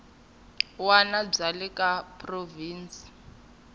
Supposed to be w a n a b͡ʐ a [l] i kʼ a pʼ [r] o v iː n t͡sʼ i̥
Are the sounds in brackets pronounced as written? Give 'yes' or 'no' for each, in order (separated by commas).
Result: yes, yes